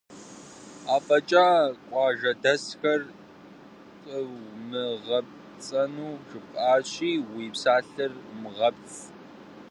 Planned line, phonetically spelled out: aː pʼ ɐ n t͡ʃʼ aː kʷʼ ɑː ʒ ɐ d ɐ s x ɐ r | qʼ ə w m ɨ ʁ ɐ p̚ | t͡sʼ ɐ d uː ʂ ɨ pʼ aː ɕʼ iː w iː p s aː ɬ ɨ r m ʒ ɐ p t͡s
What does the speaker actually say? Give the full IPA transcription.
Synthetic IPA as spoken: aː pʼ ɐ t͡ʃʼ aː kʷʼ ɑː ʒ ɐ d ɐ s x ɐ r | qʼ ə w m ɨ ʁ ɐ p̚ | t͡sʼ ɐ n uː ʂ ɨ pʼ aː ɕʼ iː w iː p s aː ɬ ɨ r m ʁ ɐ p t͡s